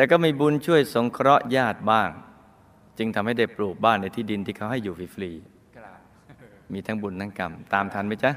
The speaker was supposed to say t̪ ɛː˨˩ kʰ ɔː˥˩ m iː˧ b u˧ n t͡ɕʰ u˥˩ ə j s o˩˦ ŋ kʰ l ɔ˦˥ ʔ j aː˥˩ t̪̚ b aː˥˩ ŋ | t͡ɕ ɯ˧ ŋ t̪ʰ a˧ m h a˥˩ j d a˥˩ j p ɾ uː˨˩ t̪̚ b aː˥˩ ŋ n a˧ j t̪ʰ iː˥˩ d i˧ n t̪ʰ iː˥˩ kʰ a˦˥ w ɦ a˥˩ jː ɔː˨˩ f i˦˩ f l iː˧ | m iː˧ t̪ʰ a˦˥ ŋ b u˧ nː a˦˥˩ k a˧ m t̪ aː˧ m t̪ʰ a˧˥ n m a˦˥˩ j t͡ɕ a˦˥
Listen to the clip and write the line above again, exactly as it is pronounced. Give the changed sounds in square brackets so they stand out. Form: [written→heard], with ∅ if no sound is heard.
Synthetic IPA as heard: t̪ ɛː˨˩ [kʰ→k] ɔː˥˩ m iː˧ b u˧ n t͡ɕʰ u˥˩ ə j s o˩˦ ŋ kʰ [l→ɾ] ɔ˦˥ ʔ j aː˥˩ t̪̚ b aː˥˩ ŋ | t͡ɕ ɯ˧ ŋ t̪ʰ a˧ m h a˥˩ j d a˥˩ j p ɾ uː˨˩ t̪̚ b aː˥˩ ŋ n a˧ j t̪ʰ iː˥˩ d i˧ n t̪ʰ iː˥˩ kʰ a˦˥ w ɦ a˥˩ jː [ɔː˨˩→uː˨˩] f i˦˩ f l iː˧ | m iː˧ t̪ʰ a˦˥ ŋ b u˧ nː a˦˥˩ k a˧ m t̪ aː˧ m t̪ʰ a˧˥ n m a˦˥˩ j t͡ɕ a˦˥